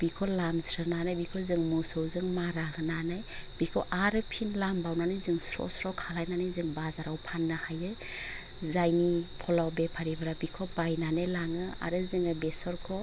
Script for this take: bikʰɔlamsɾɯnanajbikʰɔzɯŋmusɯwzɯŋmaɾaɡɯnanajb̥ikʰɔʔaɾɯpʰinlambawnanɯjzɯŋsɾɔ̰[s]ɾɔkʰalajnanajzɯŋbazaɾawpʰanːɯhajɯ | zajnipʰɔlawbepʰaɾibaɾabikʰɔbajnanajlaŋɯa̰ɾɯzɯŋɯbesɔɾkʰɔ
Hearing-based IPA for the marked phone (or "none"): s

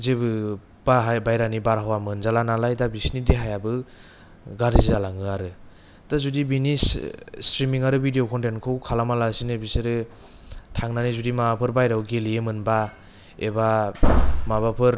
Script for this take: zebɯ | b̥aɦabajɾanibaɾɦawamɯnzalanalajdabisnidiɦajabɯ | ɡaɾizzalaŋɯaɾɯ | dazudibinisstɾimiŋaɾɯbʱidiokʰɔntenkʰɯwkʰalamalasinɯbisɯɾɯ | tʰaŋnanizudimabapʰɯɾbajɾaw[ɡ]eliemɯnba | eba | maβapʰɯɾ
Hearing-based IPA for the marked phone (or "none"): ɡ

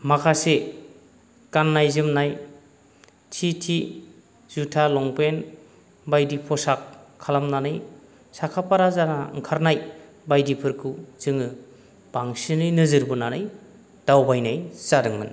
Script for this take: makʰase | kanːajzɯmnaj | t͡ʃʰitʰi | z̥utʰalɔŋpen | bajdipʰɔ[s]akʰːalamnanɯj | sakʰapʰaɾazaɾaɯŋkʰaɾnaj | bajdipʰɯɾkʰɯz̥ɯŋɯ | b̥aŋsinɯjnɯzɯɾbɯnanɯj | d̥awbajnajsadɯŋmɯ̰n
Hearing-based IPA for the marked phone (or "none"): s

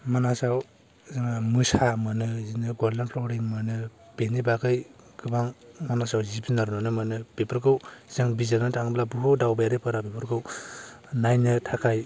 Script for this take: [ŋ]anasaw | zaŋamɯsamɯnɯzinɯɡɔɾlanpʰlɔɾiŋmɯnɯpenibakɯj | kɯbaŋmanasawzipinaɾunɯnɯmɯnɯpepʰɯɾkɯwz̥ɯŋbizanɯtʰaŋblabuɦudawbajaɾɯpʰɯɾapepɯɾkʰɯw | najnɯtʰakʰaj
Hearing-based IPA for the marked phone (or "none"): m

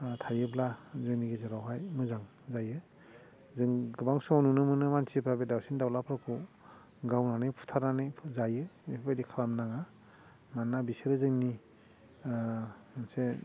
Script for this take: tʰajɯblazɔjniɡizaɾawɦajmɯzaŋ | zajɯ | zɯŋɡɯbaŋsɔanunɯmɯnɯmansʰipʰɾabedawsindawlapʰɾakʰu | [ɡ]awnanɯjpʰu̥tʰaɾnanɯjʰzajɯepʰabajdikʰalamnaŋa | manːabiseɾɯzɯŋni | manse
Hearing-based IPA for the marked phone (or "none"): ɡ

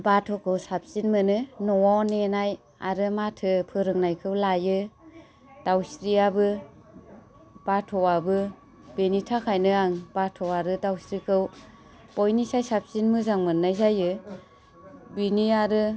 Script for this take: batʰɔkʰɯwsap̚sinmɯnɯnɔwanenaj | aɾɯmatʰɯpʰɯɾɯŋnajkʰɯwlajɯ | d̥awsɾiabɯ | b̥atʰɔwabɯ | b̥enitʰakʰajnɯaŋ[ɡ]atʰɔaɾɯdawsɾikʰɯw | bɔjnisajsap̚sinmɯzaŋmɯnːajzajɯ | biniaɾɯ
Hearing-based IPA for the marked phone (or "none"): b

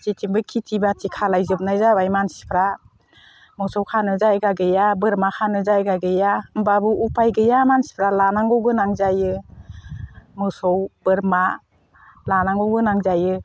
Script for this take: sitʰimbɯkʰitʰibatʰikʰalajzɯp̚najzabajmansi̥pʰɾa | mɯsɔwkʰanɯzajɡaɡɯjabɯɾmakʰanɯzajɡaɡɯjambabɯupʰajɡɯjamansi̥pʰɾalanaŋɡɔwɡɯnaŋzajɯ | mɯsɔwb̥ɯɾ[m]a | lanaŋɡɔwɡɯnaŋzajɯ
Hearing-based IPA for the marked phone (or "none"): m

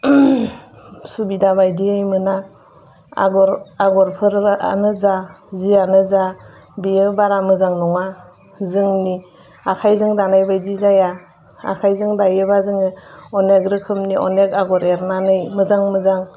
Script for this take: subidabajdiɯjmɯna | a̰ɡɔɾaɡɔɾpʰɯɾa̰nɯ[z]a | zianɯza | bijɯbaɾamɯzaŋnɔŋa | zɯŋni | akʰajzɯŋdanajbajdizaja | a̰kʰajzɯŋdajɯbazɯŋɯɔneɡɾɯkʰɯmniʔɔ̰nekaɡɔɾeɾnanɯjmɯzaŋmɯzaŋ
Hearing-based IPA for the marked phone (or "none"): z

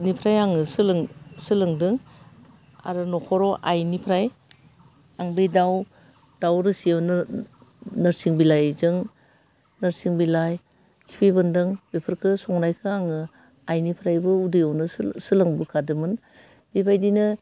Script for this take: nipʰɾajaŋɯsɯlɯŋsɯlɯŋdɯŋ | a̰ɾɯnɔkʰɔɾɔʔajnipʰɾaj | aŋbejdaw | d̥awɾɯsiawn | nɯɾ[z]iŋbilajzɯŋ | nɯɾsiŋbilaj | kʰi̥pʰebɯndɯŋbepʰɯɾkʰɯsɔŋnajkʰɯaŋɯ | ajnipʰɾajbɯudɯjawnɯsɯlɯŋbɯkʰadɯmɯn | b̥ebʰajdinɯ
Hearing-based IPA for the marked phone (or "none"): s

